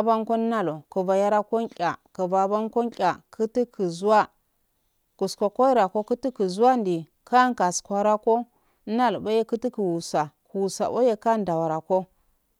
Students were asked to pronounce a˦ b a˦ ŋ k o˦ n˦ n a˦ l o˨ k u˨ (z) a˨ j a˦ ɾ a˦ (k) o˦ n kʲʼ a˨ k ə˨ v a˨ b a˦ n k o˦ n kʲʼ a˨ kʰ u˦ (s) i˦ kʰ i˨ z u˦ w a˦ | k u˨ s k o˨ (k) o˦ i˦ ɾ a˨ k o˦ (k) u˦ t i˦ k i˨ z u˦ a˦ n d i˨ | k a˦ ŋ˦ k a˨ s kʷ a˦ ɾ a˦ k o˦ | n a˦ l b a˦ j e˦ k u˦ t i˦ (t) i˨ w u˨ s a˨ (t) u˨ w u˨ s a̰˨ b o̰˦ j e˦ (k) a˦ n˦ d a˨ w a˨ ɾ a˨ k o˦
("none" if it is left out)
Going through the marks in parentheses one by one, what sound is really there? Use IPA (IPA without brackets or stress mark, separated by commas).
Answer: v, k, t, k, k, k, k, k